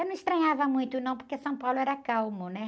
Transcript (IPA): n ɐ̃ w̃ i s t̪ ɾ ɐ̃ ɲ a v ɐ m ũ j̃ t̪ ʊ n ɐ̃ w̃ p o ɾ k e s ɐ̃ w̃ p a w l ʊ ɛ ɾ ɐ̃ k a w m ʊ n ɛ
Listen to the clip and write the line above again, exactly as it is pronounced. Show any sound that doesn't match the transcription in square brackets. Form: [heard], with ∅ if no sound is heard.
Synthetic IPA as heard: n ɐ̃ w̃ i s t̪ ɾ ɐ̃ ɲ a v ɐ m ũ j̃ t̪ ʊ n ɐ̃ w̃ p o ɾ k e s ɐ̃ w̃ p a w l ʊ ɛ ɾ [ɐ] k a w m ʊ n ɛ